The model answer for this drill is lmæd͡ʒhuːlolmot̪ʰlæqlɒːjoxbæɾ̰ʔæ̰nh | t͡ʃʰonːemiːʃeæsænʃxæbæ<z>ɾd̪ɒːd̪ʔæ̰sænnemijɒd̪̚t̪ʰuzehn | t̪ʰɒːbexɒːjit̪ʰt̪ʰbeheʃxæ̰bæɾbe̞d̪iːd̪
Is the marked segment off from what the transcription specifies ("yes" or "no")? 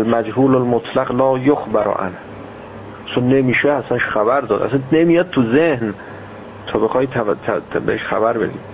yes